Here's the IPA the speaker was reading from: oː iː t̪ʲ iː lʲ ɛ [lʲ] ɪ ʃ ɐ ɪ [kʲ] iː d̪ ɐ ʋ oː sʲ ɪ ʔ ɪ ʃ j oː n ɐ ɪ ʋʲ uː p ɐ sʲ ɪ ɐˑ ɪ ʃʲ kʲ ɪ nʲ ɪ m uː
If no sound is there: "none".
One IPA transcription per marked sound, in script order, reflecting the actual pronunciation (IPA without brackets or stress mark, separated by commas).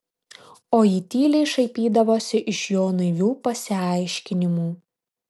none, pʲ